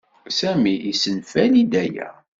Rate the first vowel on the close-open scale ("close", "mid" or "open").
open